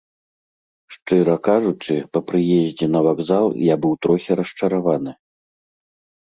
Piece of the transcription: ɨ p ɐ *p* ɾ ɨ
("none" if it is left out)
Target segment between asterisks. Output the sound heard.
p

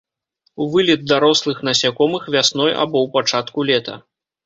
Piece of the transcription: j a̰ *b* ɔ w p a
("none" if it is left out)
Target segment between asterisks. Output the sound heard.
b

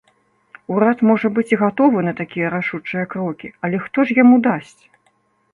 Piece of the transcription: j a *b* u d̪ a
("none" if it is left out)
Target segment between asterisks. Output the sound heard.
m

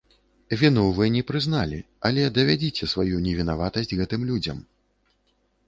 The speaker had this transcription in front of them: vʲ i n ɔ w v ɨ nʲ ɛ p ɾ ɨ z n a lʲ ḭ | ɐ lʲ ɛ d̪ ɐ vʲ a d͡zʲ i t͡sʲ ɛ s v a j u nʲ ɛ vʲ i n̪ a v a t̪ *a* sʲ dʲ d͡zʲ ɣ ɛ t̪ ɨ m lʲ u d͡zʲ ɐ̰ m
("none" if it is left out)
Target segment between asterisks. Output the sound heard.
ɐ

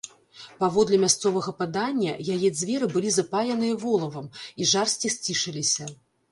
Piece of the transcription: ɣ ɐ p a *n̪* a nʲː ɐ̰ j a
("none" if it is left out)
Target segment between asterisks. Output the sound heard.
d̪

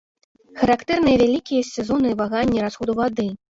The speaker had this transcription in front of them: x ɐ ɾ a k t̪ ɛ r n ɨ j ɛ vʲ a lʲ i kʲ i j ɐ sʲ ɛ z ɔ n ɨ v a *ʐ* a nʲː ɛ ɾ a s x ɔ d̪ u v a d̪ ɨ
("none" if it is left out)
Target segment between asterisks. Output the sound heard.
ɣ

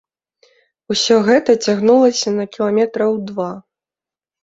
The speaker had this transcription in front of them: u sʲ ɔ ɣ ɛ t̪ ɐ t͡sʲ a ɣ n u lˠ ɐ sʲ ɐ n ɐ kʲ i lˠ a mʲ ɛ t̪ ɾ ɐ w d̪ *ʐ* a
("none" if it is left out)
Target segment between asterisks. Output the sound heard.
v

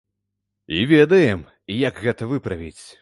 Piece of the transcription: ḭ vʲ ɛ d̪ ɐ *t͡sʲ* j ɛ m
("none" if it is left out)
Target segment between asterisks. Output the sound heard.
none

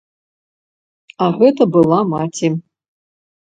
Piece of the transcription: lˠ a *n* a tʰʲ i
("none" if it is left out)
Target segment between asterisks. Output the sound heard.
m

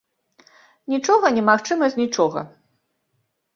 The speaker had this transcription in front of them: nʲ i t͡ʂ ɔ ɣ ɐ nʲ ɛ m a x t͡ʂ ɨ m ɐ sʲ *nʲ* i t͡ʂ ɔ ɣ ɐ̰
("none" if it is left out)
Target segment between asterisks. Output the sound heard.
nʲ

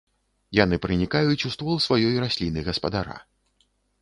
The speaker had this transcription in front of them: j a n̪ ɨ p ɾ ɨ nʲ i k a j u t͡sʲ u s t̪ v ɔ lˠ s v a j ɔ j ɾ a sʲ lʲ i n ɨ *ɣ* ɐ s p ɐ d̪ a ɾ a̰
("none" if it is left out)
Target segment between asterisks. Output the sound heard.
ɣ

